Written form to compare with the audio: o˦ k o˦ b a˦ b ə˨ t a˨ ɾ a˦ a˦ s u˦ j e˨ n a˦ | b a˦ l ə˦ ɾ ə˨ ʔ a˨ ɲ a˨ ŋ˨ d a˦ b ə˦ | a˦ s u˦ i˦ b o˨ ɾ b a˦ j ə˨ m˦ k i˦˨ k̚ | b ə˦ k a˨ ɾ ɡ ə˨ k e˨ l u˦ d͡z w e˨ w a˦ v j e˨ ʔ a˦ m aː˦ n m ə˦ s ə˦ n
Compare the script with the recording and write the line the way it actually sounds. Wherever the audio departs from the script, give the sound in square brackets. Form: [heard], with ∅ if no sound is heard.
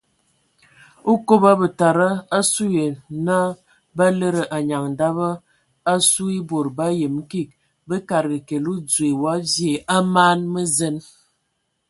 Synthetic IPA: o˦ k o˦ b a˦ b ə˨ t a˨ ɾ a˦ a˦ s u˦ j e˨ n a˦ | b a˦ l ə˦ ɾ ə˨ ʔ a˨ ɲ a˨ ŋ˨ d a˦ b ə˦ | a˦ s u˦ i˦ b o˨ ɾ b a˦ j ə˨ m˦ k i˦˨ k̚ | b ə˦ k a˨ ɾ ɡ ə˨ k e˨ l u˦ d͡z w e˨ w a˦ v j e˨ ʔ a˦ m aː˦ n m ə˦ [z] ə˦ n